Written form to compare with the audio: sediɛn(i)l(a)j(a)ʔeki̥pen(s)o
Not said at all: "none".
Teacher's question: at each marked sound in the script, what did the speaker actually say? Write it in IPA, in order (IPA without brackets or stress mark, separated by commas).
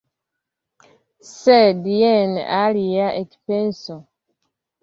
a, i, a, s